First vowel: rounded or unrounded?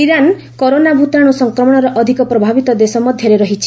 unrounded